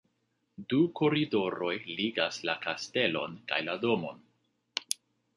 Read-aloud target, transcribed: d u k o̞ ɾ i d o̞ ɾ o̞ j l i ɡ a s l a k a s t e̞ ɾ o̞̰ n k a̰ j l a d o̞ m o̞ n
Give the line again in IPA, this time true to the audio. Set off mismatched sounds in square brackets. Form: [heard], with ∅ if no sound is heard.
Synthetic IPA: d u k o̞ ɾ i d o̞ ɾ o̞ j l i ɡ a s l a k a s t e̞ [l] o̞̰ n k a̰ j l a d o̞ m o̞ n